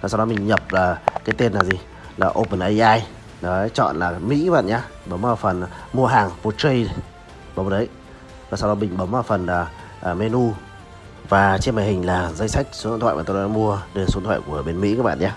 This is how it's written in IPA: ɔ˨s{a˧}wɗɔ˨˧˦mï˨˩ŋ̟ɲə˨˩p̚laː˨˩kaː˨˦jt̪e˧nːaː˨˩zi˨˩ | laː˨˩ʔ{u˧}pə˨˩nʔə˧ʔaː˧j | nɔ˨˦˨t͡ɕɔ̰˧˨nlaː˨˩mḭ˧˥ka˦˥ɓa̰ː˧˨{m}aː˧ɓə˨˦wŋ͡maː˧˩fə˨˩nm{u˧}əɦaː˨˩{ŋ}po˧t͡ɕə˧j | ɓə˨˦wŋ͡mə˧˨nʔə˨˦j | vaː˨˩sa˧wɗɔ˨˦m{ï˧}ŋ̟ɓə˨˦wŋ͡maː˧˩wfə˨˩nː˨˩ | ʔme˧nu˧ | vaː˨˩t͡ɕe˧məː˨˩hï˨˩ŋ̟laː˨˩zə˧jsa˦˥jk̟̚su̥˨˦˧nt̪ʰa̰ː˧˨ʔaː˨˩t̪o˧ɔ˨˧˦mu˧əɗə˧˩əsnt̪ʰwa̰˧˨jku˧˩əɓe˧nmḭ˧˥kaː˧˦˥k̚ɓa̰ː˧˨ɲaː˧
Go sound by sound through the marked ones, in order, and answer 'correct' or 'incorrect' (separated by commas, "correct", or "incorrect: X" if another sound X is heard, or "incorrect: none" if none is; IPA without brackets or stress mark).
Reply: correct, incorrect: o˧, incorrect: ɲ, correct, correct, incorrect: ï˨˩